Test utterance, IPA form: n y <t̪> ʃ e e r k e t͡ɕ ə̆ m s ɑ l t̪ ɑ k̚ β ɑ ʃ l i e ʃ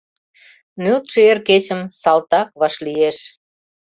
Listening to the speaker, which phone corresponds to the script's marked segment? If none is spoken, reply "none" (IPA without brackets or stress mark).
t̪